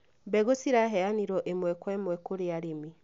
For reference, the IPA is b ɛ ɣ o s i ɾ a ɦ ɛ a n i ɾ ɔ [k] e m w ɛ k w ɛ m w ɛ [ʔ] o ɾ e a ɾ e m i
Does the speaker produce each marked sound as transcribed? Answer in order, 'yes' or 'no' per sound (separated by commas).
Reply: no, no